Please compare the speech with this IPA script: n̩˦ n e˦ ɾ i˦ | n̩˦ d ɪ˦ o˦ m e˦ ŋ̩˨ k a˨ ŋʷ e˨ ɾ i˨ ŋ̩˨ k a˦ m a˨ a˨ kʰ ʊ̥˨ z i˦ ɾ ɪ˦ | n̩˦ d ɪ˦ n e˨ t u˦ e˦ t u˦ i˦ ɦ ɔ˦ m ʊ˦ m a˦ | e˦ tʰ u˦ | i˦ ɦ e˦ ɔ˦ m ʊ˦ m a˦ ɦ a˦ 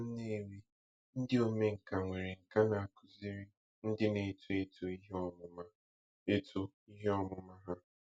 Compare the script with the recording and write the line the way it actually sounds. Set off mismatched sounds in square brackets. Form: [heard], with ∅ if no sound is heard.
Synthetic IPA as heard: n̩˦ n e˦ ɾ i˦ | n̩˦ d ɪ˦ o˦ m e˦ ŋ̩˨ k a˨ ŋʷ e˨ ɾ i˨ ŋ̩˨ k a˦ [n] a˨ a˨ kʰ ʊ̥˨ z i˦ ɾ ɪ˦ | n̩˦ d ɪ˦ n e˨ t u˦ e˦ t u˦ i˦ ɦ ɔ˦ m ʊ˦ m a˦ | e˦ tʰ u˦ | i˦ ɦ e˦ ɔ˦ m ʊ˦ m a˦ ɦ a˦